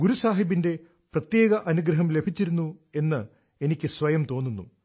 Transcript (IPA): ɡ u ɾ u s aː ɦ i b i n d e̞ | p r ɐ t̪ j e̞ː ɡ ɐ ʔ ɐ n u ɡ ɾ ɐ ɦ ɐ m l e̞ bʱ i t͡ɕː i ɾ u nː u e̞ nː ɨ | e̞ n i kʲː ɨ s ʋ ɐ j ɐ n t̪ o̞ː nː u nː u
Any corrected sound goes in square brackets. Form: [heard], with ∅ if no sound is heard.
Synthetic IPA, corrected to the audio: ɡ u ɾ u s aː ɦ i b i n d e̞ | p r ɐ t̪ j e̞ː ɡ ɐ ʔ ɐ n u ɡ ɾ ɐ ɦ ɐ m l e̞ bʱ i t͡ɕː i ɾ u nː u e̞ nː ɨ | e̞ n i kʲː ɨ s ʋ ɐ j ɐ [m] t̪ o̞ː nː u nː u